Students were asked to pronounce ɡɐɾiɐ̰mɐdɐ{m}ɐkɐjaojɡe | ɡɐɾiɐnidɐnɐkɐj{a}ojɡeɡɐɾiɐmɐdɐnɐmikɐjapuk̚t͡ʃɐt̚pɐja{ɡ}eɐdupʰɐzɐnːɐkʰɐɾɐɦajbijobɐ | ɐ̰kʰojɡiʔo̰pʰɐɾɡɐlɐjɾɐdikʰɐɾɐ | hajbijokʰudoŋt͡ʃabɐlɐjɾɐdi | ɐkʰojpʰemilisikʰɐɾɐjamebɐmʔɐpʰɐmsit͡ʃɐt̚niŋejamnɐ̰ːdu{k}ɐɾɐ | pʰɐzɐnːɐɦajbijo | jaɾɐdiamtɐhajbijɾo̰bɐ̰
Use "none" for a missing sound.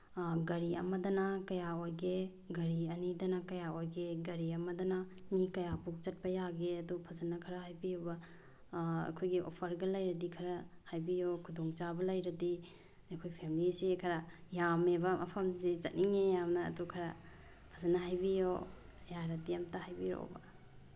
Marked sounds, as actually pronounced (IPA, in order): n, a, ɡ, kʰ

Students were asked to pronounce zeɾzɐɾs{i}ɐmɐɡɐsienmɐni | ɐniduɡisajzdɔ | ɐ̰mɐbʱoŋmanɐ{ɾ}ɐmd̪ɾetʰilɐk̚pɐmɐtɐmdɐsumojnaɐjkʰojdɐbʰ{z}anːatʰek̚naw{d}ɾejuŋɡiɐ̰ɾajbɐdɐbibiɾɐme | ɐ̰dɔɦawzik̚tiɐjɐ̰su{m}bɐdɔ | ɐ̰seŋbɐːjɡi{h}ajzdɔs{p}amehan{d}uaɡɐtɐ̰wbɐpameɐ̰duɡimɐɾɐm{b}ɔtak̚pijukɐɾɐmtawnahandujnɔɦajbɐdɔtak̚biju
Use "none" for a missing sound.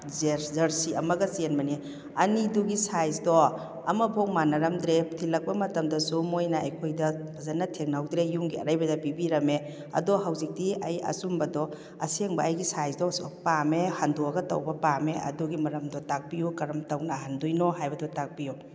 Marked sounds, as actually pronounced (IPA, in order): i, ɾ, z, d, m, s, p, d, d

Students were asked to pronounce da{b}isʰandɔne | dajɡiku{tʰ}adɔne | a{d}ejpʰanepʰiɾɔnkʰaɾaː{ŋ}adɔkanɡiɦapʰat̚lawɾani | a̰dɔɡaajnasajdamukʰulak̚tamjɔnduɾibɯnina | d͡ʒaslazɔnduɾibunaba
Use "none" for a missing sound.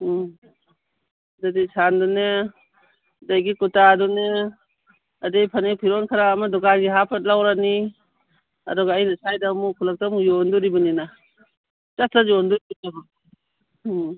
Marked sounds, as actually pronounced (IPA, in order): d, t, d, m

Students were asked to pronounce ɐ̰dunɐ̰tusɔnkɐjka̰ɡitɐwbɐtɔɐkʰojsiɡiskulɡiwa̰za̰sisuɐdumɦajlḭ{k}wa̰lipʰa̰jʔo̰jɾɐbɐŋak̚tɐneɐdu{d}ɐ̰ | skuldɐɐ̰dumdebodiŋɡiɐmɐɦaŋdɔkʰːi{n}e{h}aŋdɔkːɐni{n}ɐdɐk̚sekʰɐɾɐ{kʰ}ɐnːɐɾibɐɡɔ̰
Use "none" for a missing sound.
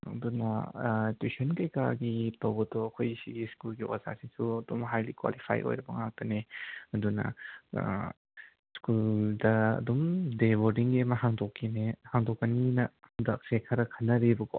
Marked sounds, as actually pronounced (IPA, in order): k, n, n, h, n, kʰ

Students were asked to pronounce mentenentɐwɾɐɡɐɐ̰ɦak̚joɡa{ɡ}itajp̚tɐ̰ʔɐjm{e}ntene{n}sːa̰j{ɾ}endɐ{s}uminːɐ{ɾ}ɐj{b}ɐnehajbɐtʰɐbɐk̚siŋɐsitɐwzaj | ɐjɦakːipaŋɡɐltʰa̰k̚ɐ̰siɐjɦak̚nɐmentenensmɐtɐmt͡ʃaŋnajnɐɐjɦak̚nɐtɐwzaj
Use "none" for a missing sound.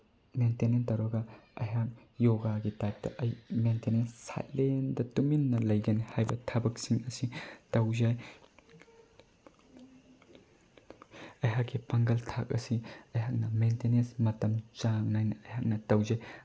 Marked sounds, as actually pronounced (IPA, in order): ɡ, e, n, l, t, l, ɡ

